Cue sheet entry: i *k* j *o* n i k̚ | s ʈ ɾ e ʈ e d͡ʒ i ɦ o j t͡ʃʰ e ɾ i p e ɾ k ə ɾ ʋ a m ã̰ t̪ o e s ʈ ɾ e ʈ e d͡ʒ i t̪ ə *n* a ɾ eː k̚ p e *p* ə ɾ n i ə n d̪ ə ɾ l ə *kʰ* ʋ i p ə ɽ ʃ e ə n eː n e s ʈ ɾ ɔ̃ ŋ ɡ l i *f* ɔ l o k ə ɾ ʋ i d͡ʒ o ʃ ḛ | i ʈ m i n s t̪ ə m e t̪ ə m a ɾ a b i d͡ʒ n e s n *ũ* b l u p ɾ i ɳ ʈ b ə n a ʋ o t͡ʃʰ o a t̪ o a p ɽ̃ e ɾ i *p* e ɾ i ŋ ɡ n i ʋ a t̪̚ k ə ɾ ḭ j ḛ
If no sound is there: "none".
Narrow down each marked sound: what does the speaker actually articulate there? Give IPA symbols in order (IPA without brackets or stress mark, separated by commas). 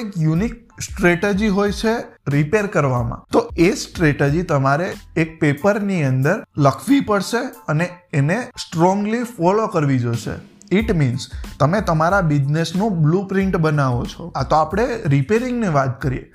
k, u, m, p, kʰ, f, ũ, p